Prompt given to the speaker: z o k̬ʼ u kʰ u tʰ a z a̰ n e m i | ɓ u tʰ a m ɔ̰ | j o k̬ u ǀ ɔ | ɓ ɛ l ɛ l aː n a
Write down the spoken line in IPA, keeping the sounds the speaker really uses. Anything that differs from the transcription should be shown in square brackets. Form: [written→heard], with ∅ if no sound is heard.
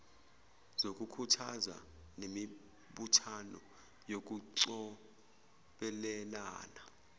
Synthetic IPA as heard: z o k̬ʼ u kʰ u tʰ a z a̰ n e m i | ɓ u tʰ a [m→n] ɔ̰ | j o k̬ u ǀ ɔ | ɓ ɛ l ɛ l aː n a